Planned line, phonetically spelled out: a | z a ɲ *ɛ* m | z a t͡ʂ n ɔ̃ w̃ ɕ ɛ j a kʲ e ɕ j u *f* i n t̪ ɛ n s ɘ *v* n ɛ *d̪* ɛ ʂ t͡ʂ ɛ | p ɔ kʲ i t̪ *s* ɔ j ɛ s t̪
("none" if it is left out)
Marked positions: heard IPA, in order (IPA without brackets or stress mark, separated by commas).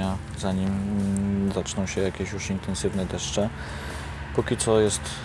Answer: i, ʂ, v, d̪, s